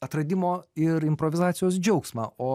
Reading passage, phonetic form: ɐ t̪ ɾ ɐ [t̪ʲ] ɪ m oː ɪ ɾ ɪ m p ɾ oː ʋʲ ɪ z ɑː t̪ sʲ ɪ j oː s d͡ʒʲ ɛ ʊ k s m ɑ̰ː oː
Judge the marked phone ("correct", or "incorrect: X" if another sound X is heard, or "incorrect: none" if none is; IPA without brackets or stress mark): incorrect: d̪ʲ